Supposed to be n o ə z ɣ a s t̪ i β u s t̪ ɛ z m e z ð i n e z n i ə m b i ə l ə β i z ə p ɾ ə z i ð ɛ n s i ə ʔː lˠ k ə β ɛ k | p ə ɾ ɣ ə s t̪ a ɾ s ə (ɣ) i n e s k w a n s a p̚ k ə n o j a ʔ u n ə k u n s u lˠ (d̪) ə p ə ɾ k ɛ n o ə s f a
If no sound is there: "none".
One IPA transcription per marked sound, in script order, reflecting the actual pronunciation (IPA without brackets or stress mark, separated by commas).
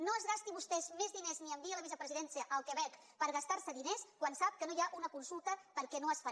ð, t̪